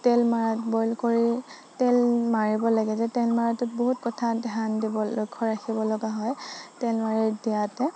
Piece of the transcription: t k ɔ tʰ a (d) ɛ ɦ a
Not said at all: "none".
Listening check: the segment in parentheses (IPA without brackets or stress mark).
d